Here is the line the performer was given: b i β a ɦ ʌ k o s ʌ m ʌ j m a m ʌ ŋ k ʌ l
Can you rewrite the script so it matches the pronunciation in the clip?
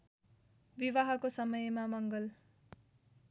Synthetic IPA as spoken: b i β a ɦ ʌ k o s ʌ m ʌ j m a m ʌ ŋ ɡ ʌ l

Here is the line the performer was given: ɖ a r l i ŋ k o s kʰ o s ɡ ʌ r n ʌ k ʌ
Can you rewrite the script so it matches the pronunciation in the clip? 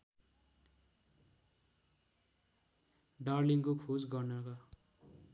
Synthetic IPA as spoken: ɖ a r l i ŋ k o kʰ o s ɡ ʌ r n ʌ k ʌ

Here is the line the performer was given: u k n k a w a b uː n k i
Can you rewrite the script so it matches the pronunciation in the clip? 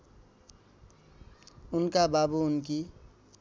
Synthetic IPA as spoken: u n k a b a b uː n k i

